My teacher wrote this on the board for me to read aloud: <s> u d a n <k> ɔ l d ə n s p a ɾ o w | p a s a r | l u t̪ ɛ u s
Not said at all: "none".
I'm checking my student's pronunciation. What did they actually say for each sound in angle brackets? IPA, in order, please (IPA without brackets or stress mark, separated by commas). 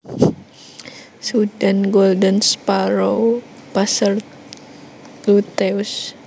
s, ɡ